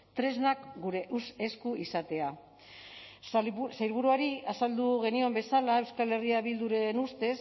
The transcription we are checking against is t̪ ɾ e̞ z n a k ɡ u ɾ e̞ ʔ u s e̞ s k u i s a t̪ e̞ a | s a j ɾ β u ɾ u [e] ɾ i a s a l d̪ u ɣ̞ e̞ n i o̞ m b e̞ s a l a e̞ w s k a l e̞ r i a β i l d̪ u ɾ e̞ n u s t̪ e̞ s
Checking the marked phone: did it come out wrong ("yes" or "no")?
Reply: yes